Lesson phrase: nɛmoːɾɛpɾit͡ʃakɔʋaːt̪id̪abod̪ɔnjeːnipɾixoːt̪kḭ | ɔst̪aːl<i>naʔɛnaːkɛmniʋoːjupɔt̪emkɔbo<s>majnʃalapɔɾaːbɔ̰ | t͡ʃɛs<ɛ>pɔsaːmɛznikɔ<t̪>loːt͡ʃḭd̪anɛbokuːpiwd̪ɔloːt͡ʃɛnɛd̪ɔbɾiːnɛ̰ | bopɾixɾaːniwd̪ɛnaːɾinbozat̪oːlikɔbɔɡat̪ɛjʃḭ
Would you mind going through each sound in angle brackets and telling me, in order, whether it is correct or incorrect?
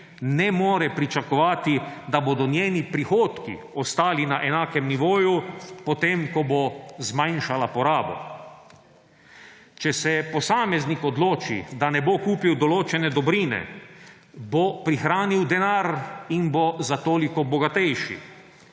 correct, incorrect: z, correct, incorrect: d̪

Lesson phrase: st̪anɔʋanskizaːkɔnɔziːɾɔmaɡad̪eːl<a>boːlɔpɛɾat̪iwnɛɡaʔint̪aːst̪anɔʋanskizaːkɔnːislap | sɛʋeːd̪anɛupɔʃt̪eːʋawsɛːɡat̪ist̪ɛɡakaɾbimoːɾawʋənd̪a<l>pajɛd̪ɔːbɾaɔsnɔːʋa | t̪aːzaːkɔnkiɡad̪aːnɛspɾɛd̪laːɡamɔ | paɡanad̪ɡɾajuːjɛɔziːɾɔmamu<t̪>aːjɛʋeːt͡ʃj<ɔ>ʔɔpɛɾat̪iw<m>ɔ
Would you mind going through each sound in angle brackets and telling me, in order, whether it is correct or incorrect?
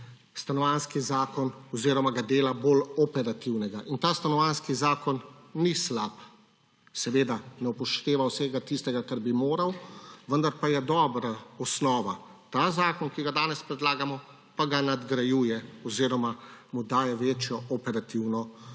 correct, incorrect: ɾ, incorrect: d̪, correct, incorrect: n

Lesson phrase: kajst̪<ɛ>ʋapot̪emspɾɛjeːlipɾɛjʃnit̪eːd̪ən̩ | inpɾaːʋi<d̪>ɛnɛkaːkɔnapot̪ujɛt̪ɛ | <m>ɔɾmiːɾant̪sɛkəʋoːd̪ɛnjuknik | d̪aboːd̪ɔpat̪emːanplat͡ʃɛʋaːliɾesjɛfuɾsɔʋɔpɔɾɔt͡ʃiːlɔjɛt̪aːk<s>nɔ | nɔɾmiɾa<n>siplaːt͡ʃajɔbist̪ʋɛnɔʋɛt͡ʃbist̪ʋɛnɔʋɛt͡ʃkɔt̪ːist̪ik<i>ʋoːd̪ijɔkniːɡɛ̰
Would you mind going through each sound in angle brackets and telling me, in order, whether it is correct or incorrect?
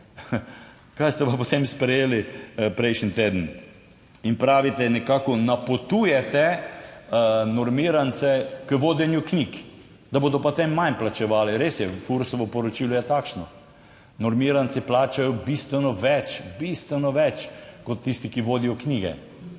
correct, incorrect: t̪, incorrect: n, incorrect: ʃ, correct, correct

